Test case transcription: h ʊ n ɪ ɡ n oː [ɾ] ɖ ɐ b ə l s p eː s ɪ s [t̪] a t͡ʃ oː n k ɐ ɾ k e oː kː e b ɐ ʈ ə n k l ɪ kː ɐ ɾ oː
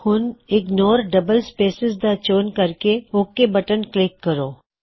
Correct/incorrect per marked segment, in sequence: correct, incorrect: d̪

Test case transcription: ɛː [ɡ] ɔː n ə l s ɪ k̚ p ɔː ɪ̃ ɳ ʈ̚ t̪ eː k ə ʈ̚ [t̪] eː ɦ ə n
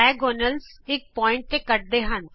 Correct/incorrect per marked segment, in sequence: correct, incorrect: d̪

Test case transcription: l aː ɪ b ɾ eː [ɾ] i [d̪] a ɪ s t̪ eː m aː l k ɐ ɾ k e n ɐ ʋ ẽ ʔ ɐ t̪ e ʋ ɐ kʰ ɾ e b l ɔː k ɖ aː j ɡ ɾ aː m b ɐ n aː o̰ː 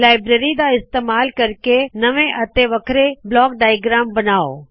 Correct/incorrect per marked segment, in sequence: correct, correct

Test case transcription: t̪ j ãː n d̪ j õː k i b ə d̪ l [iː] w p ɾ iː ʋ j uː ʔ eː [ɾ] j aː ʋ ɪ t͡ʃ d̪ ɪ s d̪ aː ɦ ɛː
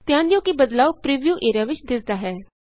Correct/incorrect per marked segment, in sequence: incorrect: aː, correct

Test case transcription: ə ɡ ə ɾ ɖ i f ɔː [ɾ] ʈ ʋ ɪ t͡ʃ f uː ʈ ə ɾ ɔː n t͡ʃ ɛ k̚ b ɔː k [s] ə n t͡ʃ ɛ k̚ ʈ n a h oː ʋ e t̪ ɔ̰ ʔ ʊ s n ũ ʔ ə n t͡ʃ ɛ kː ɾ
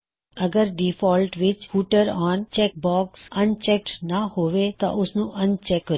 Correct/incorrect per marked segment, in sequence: incorrect: l, correct

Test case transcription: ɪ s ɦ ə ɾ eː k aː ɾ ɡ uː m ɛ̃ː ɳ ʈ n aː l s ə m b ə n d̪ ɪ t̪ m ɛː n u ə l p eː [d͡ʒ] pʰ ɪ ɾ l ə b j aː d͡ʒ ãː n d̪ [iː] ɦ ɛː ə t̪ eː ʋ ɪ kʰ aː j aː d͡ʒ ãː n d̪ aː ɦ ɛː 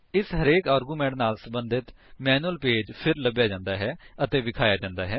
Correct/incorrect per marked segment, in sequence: correct, incorrect: aː

